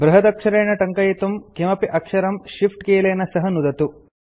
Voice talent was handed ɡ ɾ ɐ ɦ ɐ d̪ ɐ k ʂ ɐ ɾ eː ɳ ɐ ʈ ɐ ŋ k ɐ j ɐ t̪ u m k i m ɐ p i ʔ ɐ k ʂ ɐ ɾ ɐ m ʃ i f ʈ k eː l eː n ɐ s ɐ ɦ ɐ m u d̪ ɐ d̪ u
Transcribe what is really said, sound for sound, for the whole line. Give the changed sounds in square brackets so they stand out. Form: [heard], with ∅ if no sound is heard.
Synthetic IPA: [b] ɾ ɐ ɦ ɐ d̪ ɐ k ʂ ɐ ɾ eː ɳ ɐ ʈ ɐ ŋ k ɐ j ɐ t̪ u m k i m ɐ p i ʔ ɐ k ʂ ɐ ɾ ɐ m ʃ i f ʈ k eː l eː n ɐ s ɐ ɦ ɐ [n] u d̪ ɐ [t̪] u